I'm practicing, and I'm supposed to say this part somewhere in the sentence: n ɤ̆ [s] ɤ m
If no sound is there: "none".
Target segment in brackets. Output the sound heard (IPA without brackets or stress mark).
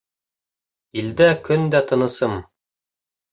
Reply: s